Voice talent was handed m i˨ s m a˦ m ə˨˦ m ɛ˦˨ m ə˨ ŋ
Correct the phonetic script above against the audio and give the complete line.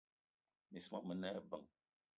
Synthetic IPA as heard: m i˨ s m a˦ m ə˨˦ n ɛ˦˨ b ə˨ ŋ

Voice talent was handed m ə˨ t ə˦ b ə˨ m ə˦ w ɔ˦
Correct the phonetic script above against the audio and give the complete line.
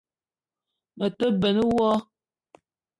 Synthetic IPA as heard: m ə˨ t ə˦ b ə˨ n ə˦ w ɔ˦

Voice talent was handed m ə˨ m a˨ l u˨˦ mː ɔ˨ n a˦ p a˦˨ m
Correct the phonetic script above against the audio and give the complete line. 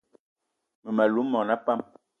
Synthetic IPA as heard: m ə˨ m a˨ l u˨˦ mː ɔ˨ n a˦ p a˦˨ m

